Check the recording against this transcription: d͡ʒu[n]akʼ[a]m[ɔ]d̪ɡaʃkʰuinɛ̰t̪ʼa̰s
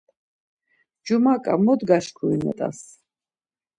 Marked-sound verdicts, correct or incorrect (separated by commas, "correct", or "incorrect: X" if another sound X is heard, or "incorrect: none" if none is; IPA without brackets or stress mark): incorrect: m, correct, correct